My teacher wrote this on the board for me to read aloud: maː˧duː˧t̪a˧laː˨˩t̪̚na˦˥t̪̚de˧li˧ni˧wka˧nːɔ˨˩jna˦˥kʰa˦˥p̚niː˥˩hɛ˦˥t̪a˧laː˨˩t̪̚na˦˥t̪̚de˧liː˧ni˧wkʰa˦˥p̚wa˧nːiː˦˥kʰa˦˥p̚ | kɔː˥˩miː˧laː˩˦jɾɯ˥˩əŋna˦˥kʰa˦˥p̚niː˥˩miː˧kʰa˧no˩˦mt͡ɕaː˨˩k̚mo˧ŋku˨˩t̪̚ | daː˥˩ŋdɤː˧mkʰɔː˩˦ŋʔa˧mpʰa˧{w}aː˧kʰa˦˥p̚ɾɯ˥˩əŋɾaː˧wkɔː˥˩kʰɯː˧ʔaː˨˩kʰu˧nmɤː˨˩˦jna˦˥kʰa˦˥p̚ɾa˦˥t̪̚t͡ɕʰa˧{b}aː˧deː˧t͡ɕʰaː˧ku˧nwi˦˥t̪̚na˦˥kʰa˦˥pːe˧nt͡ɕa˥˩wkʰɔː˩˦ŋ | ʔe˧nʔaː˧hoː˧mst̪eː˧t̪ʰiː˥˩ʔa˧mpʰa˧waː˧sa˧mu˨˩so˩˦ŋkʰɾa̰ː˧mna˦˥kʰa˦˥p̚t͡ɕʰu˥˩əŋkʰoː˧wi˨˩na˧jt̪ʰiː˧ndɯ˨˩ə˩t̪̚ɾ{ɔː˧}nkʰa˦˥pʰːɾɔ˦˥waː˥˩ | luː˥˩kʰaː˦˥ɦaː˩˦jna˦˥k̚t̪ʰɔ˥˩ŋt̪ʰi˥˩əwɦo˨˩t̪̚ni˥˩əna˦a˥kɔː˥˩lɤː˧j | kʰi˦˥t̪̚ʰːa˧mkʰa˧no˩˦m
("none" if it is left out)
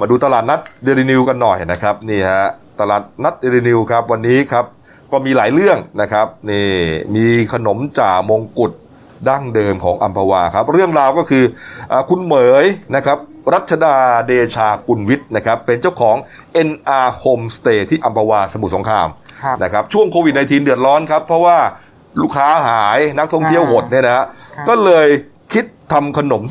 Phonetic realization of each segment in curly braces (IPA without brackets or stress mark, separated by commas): w, d, ɔː˦˥